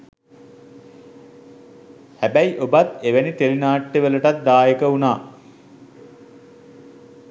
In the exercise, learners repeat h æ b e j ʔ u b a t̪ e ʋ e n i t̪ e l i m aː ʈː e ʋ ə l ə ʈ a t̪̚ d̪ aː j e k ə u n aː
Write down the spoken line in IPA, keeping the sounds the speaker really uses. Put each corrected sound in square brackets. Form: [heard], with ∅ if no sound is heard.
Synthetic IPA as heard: h æ b [æ] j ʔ [o] b a t̪ e ʋ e n i t̪ e l i [n] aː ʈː e ʋ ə l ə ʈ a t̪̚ d̪ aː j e k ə u n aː